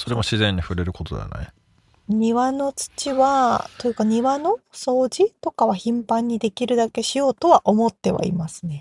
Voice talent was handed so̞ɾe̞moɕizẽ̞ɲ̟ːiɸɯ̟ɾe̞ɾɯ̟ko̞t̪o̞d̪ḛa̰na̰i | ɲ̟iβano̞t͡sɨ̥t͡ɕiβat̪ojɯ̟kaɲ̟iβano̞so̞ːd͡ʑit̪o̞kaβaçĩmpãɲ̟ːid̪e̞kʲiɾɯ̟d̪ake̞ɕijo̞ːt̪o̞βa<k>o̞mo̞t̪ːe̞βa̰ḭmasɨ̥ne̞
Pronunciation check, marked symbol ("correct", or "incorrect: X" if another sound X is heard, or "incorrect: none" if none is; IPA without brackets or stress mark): incorrect: ʔ